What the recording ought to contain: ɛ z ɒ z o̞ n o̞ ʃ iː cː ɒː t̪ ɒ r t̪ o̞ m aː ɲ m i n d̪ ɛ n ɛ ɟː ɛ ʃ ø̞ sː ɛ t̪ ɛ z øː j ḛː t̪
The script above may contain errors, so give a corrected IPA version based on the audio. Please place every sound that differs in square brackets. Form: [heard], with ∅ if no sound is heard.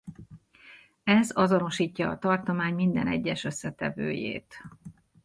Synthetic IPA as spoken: ɛ z ɒ z o̞ n o̞ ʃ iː cː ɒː t̪ ɒ r t̪ o̞ m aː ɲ m i n d̪ ɛ n ɛ ɟː ɛ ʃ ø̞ sː ɛ t̪ ɛ [v] øː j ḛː t̪

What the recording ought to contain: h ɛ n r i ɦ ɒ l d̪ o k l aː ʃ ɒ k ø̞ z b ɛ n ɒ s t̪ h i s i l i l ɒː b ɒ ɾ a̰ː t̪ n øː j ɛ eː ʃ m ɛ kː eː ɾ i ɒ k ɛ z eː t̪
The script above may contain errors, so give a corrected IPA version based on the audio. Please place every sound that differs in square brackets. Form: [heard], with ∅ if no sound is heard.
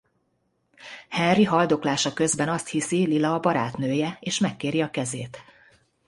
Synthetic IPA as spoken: h ɛ n r i ɦ ɒ l d̪ o k l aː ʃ ɒ k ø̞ z b ɛ n ɒ s t̪ h i s i l i l ɒː b ɒ ɾ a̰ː t̪ n øː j ɛ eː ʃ m ɛ kː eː ɾ i ɒ k ɛ z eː t̪

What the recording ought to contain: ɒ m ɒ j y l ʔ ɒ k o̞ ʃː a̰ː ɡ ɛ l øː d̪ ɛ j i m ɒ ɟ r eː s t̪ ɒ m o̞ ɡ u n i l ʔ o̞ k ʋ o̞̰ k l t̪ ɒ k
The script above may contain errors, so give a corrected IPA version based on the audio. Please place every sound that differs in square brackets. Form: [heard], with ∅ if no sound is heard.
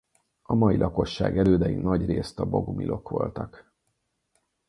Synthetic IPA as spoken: ɒ m ɒ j [i] l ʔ ɒ k o̞ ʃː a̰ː ɡ ɛ l øː d̪ ɛ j i [n] ɒ ɟ r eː s t̪ ɒ [b] o̞ ɡ u [m] i l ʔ o̞ k ʋ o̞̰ [∅] l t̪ ɒ k

